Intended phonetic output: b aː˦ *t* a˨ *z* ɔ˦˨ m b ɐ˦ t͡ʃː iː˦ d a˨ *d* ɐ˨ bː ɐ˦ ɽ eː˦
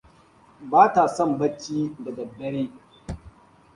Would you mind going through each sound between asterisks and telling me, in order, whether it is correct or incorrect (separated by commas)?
correct, incorrect, correct